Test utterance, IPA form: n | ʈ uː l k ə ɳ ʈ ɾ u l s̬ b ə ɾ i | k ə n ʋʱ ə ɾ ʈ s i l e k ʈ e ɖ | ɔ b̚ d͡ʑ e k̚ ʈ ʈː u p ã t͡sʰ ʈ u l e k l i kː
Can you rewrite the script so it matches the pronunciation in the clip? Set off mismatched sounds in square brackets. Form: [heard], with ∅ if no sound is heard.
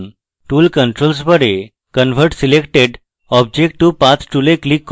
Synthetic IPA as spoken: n | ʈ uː l k ə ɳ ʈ ɾ [o] l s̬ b ə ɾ [e] | k ə n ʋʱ ə ɾ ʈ s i l e k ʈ e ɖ | ɔ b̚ d͡ʑ e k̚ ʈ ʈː u p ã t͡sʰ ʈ u l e k l i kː